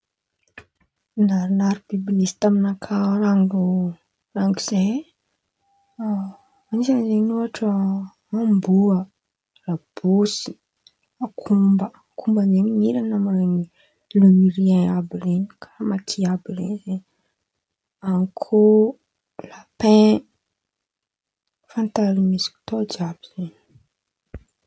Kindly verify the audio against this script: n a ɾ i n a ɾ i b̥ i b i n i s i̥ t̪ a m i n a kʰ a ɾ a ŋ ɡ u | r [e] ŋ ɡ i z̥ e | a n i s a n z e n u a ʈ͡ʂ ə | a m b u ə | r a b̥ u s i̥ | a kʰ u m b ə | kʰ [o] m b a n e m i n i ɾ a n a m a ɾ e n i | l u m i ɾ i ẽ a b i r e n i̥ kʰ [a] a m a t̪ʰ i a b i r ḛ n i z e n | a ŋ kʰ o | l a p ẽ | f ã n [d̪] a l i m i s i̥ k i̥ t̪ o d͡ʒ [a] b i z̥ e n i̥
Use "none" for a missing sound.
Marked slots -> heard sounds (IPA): a, u, a, t̪, a

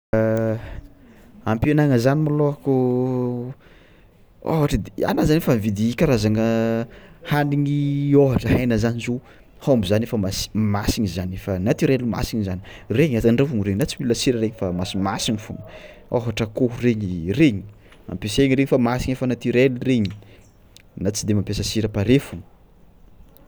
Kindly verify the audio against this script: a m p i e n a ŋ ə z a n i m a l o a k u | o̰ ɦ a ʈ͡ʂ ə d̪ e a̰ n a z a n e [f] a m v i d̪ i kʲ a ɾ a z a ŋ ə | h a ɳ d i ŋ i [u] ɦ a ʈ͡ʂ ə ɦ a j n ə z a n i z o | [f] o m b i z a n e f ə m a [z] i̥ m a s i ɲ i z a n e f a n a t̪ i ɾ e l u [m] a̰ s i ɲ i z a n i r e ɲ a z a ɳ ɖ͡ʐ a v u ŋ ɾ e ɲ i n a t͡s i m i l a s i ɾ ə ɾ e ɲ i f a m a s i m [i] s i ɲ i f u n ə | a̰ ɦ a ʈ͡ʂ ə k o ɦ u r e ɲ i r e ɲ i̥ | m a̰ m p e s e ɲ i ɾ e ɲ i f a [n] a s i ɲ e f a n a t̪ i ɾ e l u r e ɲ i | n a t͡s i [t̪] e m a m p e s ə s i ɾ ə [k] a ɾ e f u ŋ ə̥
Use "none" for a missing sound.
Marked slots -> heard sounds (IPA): f, o, h, s, m, a, m, d̪, p

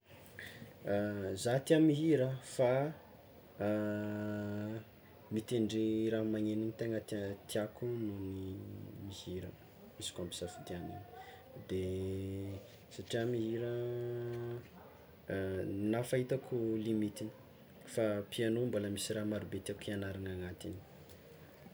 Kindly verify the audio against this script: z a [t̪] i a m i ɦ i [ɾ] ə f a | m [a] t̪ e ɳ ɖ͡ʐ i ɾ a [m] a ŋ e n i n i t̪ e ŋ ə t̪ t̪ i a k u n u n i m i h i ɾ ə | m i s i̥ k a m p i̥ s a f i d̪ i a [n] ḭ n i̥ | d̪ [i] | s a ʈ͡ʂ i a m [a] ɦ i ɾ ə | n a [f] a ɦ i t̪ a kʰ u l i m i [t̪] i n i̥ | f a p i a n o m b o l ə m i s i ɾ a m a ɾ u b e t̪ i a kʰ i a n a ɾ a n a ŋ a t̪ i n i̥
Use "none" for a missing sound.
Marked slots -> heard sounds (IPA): t̪, ɾ, i, m, n, e, i, f, t̪

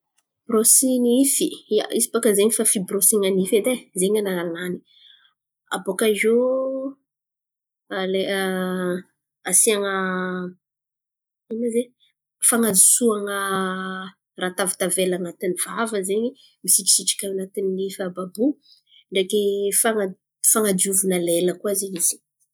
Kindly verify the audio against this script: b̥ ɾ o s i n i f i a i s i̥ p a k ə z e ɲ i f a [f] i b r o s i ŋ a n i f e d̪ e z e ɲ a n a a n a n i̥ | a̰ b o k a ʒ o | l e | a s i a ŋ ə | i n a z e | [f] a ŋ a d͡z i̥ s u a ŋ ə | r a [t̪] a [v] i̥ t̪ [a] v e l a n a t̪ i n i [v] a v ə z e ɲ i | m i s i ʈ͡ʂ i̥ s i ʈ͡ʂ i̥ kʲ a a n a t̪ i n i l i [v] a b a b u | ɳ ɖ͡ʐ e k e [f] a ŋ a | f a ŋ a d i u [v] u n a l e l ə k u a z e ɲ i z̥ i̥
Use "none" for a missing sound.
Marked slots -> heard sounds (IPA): f, f, t̪, v, a, v, f, f, v

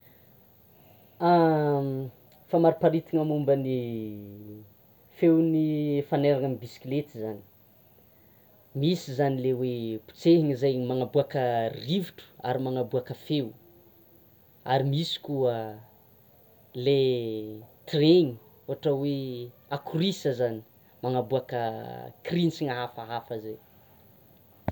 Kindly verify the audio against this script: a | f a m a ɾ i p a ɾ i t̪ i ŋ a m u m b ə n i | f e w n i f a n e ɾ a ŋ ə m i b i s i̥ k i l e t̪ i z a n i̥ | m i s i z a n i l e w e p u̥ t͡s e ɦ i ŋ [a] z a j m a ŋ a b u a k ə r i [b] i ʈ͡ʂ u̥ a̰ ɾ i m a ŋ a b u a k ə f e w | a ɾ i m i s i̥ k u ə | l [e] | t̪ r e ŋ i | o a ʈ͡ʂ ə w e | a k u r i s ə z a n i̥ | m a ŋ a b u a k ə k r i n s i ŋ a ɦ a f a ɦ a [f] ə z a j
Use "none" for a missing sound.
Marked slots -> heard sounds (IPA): i, v, e, f

